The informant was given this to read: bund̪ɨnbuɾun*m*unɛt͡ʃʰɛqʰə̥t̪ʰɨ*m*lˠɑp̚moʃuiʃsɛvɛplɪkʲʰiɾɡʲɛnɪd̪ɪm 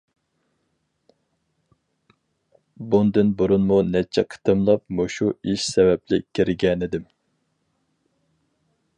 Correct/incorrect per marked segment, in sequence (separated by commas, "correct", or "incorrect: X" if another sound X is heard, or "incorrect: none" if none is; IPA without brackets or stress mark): correct, correct